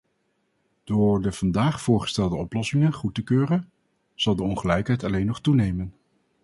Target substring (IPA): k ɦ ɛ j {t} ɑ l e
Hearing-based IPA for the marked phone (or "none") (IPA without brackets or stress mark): t